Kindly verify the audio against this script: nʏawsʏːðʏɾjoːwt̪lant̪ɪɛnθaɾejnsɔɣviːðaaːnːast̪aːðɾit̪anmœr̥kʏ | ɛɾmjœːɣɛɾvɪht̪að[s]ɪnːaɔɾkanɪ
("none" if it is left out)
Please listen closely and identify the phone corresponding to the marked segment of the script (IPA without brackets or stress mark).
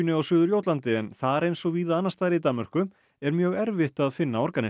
f